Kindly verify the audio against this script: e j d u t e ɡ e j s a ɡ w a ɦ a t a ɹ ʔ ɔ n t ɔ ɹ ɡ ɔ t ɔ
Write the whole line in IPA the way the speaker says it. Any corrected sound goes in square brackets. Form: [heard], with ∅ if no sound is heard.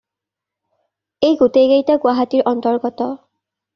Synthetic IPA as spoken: e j [ɡ] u t e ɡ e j [t] a ɡ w a ɦ a t [i] ɹ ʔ ɔ n t ɔ ɹ ɡ ɔ t ɔ